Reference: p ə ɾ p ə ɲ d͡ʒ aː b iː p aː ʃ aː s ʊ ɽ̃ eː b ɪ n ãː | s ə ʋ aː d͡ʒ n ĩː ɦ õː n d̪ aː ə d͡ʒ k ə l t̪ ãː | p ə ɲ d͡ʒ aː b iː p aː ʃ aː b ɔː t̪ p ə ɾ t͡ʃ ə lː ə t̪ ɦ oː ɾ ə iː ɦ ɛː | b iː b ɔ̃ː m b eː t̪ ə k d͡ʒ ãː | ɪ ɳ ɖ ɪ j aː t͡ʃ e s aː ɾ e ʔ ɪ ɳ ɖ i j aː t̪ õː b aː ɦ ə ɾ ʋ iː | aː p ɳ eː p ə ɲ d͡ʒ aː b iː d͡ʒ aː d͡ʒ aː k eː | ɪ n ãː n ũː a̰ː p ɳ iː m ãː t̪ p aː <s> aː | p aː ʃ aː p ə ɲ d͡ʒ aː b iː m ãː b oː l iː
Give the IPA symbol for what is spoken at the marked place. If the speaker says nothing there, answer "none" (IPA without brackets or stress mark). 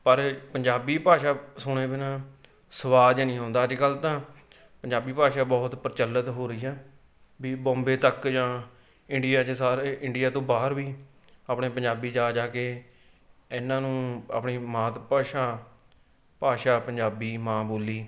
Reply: ʃ